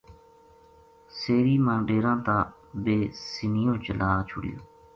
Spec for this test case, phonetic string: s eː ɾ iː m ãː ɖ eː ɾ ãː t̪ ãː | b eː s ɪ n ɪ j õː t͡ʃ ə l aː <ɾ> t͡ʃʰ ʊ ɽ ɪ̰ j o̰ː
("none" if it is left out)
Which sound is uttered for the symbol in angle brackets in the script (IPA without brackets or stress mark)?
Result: none